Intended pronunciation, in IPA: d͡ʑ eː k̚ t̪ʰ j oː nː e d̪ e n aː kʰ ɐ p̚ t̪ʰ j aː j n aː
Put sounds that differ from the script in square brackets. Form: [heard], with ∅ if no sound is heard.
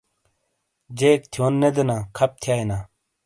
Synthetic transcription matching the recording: d͡ʑ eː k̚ t̪ʰ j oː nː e d̪ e n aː kʰ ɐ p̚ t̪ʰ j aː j n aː